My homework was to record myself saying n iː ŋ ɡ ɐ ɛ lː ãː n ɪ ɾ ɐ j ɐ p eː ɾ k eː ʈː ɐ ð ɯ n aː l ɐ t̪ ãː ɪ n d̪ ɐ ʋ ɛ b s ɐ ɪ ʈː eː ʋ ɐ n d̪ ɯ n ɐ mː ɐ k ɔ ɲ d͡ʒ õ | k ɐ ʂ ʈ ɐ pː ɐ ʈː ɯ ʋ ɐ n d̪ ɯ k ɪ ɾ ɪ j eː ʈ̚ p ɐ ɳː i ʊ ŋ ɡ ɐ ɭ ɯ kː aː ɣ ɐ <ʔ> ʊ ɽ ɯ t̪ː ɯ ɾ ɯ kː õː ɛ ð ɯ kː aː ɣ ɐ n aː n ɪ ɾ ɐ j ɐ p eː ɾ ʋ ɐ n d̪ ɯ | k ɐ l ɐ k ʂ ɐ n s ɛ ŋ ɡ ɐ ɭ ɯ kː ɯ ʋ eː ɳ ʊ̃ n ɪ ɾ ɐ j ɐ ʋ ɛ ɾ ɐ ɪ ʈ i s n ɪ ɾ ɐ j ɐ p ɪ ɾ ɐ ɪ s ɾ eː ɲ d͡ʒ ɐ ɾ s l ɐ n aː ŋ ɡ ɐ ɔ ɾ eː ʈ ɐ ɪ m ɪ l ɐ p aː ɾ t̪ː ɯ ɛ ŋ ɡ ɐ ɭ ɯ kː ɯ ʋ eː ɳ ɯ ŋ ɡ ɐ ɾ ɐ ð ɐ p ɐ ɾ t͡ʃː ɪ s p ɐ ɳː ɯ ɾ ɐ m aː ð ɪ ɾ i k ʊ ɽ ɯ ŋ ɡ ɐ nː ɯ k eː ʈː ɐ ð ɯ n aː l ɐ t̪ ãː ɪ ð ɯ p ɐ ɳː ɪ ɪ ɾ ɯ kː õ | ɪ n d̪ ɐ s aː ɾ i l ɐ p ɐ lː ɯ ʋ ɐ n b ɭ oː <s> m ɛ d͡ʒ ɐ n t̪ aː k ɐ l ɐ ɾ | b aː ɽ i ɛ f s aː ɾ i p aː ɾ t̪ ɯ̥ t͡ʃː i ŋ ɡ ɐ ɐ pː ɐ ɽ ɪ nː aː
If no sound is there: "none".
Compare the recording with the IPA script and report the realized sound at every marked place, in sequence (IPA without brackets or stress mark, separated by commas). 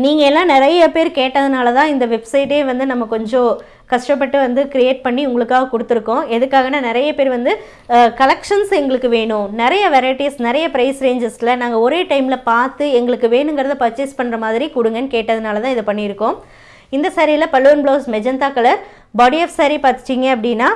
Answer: k, s